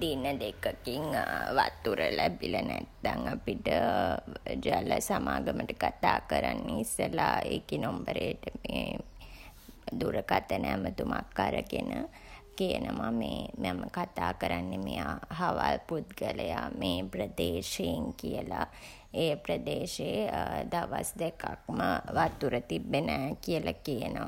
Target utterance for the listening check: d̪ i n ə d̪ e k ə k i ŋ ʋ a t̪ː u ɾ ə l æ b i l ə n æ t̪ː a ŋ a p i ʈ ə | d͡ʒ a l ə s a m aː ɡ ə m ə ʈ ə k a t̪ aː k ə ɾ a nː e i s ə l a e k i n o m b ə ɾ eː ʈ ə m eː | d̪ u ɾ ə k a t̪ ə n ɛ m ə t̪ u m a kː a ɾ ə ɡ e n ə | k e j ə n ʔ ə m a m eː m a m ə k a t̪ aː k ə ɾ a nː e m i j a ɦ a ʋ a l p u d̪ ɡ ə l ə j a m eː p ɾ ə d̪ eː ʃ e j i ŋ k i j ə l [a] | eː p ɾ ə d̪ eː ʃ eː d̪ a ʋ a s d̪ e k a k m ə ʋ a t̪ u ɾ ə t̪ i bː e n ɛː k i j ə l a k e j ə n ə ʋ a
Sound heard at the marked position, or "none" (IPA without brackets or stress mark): a